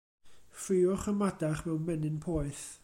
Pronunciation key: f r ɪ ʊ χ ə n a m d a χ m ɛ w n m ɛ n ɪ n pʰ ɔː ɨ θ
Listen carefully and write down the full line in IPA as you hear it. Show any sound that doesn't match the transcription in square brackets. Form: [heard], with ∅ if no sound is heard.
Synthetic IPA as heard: f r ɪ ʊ χ ə [m] a [∅] d a χ m ɛ w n m ɛ n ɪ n pʰ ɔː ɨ θ